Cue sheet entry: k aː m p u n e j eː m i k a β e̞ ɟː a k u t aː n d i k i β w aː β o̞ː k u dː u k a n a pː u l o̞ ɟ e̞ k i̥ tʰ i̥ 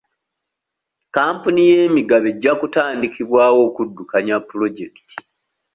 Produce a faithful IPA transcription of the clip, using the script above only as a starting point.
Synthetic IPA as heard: k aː m p u n i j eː m i ɡ a β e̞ ɟː a k u t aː n d i k i β w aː w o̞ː k u dː u k a ɲ a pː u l o̞ ɟ e̞ k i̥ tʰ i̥

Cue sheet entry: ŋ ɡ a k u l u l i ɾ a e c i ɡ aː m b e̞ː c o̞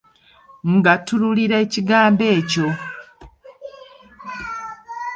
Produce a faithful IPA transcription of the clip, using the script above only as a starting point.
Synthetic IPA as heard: ŋ ɡ a t u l u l i ɾ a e c i ɡ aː m b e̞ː c o̞

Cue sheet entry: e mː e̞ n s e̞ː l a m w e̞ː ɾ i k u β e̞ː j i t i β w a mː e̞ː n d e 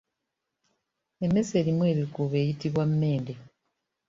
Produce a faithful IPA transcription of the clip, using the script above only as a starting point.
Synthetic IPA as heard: e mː e̞ s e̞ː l i m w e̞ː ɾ i k u β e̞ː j i t i β w a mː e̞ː n d e

